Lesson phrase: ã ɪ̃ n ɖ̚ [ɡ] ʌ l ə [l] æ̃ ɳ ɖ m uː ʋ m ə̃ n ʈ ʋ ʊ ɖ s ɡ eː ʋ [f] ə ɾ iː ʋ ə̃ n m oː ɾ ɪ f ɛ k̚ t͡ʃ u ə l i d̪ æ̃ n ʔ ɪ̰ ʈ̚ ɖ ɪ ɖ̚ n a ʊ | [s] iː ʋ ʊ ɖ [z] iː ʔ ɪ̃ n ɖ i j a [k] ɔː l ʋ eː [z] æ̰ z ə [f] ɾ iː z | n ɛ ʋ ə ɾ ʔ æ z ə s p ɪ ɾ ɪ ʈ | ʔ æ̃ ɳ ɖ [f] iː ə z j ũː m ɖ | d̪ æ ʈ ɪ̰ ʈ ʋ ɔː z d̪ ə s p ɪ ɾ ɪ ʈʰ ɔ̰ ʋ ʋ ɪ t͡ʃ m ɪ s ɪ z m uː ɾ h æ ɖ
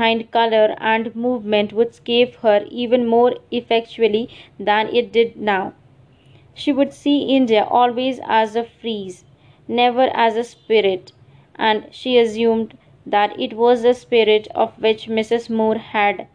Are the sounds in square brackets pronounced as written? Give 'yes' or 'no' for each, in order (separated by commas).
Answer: no, no, no, no, no, no, yes, yes, no